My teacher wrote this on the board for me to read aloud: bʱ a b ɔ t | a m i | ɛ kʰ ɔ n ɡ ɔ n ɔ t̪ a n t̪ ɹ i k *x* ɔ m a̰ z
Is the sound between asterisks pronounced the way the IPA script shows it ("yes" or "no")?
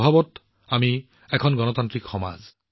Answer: yes